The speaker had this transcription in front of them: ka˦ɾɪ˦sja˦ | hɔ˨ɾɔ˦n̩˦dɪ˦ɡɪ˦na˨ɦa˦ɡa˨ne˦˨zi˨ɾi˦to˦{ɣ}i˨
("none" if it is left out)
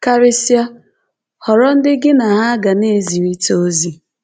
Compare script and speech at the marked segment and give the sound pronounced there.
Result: z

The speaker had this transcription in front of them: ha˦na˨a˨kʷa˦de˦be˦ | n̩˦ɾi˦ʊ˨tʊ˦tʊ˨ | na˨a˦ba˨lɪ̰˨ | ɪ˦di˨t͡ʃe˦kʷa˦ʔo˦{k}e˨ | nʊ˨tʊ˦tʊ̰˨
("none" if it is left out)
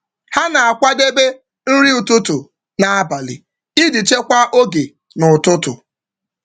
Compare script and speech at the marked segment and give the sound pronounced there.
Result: ɡ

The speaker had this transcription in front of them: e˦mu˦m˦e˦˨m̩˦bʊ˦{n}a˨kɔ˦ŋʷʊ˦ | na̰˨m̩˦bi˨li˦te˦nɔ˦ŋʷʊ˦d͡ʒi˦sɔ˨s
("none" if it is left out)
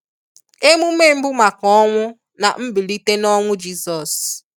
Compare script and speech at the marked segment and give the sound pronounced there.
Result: m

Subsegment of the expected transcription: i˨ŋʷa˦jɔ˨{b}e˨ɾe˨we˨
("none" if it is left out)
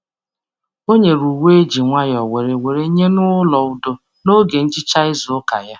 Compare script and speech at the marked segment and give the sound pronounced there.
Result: w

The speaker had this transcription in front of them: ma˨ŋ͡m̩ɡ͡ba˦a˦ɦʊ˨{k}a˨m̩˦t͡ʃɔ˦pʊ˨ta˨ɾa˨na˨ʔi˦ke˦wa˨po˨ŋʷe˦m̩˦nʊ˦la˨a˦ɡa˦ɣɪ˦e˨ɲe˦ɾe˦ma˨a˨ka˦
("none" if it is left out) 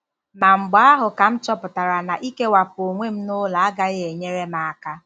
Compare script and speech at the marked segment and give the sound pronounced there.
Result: k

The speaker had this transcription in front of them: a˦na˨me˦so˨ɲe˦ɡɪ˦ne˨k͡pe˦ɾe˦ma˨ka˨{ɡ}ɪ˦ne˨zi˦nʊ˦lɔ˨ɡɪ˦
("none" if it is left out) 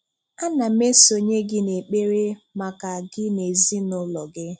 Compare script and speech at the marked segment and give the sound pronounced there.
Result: ɡ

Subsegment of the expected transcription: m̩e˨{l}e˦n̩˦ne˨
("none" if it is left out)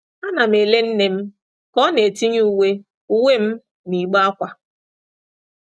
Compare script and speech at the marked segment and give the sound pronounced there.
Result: l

